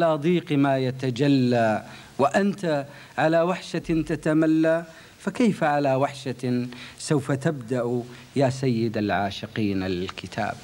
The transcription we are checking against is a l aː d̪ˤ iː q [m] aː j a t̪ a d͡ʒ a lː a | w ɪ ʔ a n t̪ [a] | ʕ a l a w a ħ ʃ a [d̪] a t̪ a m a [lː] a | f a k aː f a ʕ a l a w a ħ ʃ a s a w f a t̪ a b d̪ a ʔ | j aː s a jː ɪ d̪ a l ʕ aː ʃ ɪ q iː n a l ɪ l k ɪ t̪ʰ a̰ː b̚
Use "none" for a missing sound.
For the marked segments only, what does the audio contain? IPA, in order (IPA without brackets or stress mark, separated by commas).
m, a, t̪, lː